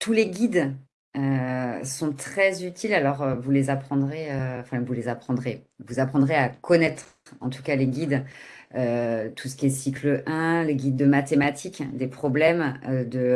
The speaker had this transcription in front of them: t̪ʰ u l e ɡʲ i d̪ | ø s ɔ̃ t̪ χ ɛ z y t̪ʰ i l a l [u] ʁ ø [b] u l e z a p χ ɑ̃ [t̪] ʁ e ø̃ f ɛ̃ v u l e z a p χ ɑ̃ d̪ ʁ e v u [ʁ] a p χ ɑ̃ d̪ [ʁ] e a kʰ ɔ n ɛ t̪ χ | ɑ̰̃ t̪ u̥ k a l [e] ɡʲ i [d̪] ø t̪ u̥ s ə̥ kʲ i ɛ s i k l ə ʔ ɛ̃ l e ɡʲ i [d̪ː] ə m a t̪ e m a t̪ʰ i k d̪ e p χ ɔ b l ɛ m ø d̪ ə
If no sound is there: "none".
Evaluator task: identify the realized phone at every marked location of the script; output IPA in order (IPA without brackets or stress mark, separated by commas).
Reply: ɔ, v, d̪, z, ʁ, e, d̪, d̪ː